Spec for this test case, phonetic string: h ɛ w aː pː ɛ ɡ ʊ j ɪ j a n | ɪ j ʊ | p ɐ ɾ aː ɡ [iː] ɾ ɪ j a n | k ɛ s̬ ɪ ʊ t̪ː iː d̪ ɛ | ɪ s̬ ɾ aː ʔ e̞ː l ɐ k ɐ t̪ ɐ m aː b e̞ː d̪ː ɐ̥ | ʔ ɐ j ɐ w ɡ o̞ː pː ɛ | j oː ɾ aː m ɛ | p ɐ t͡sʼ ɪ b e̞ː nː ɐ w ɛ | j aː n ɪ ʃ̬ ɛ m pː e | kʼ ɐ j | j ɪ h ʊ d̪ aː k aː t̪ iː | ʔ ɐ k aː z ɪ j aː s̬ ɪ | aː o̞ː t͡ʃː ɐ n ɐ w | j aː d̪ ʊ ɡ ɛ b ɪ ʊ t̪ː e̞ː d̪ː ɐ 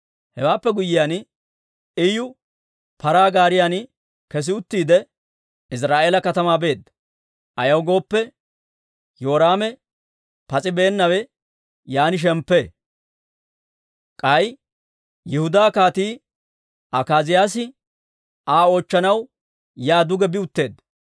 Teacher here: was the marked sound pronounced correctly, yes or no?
no